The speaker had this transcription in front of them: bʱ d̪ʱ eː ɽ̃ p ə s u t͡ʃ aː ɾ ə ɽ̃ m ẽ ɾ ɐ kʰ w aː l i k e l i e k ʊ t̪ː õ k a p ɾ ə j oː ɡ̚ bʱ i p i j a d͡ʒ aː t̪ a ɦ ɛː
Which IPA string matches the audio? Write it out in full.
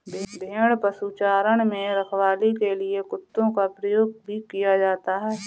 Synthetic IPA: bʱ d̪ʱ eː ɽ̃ p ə s u t͡ʃ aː ɾ ə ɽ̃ m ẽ ɾ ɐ kʰ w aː l i k e l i e k ʊ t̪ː õ k a p ɾ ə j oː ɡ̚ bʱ i k i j a d͡ʒ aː t̪ a ɦ ɛː